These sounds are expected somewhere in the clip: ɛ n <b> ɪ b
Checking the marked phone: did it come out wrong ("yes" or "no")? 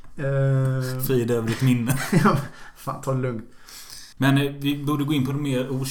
yes